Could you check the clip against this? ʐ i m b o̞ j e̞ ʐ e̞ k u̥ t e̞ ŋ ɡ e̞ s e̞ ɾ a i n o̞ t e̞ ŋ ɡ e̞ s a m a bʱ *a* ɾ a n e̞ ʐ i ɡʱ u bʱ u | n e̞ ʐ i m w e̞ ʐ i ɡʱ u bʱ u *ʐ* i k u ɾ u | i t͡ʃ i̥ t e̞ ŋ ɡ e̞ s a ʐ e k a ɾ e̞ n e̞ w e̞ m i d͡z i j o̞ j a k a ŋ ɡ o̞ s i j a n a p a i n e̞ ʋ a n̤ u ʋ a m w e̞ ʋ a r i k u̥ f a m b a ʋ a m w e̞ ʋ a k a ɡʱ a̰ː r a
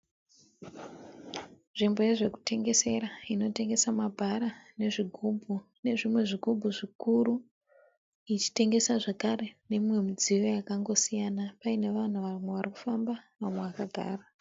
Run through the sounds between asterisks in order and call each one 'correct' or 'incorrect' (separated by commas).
correct, correct